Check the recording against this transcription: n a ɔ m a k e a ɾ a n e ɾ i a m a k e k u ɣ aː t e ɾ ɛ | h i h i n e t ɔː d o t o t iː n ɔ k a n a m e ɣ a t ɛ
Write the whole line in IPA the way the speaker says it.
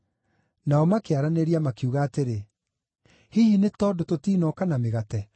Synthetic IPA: n a ɔ m a k e a ɾ a n e ɾ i a m a k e u ɣ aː t e ɾ e | h i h i n e t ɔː d o t o t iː n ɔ k a n a m e ɣ a t ɛ

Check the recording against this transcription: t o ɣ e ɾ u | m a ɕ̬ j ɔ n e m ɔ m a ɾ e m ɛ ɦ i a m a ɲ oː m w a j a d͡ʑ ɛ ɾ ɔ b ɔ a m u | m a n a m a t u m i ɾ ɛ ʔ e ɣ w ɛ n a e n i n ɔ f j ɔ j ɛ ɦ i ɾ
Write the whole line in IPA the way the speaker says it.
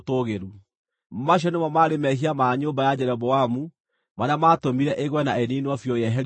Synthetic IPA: t o ɣ e ɾ u | m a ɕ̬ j ɔ n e m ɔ m a ɾ e m ɛ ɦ i a m a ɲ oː m b a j a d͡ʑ ɛ ɾ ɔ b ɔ a m u | m a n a m a t o m i ɾ ɛ ʔ e ɣ w ɛ n a e n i n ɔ f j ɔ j ɛ ɦ ɛ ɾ

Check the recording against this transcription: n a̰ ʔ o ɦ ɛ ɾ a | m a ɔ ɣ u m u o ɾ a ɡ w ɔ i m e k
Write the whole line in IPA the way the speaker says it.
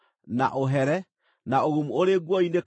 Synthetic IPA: n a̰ ʔ o ɦ ɛ ɾ ɛ | n a o ɣ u m u o ɾ e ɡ w ɔ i n e k

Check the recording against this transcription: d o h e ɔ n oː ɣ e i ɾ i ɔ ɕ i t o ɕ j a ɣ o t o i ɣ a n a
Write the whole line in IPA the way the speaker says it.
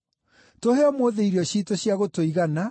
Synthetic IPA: t o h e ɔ m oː ð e i ɾ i ɔ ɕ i t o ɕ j a ɣ o t o i ɣ a n a

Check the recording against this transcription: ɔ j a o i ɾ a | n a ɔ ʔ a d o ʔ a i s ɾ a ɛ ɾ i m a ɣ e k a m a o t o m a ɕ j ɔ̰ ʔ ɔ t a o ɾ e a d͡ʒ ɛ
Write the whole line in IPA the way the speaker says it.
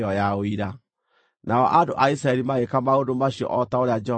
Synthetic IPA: ɔ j a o i ɾ a | n a ɔ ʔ a d o ʔ a i s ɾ a ɛ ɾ i m a ɣ e k a m a o d o m a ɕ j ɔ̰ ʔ ɔ t a o ɾ e a d͡ʒ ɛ

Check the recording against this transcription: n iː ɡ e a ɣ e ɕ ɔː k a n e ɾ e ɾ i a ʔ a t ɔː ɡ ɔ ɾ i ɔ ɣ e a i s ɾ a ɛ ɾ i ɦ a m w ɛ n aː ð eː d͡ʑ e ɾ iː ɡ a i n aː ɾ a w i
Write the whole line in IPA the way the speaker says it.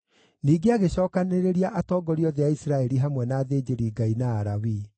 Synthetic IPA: n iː ɡ e a ɣ e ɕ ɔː k a n e ɾ e ɾ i a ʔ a t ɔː ɡ ɔ ɾ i ɔ ð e a i s ɾ a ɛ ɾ i ɦ a m w ɛ n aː ð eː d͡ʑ e ɾ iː ɡ a i n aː ɾ a w i

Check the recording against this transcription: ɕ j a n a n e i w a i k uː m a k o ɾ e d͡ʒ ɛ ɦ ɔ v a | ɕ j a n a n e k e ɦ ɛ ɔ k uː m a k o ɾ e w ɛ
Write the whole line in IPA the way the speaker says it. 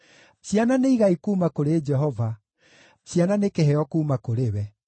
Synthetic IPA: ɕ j a n a n e i ɣ a i k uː m a k o ɾ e d͡ʒ ɛ ɦ ɔ v a | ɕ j a n a n e k e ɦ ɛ ɔ k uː m a k o ɾ e w ɛ

